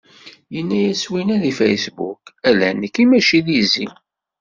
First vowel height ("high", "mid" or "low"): mid